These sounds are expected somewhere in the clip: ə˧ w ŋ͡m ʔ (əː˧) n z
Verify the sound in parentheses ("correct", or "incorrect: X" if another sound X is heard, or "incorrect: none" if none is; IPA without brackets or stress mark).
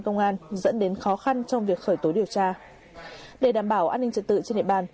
incorrect: aː˧